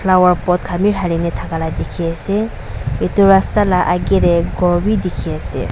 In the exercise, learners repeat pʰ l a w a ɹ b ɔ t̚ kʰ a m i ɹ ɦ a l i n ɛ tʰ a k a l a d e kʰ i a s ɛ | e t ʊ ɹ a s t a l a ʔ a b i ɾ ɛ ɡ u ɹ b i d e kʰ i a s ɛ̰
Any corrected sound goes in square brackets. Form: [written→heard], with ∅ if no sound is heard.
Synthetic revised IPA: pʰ l a w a ɹ [b→p] ɔ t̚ kʰ a m i ɹ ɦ a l i n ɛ tʰ a k a l a d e kʰ i a s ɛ | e t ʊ ɹ a s t a l a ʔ a [b→ɡ] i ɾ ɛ ɡ [u→ɔ] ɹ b i d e kʰ i a s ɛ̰